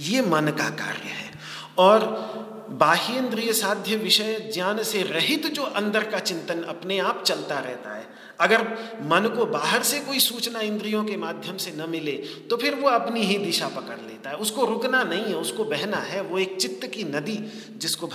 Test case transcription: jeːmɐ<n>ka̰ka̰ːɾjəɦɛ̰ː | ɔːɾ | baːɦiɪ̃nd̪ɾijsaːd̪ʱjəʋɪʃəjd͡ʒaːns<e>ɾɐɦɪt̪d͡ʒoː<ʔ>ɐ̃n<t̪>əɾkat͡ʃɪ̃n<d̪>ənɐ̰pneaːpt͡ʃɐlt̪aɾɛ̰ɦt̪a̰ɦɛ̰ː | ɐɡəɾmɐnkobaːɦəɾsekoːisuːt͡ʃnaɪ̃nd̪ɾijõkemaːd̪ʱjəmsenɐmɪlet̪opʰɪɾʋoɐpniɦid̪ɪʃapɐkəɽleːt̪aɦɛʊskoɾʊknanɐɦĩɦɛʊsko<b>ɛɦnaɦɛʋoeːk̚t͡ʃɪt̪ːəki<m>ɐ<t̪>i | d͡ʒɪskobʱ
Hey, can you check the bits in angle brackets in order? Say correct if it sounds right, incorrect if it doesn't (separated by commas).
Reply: correct, correct, correct, incorrect, incorrect, correct, incorrect, incorrect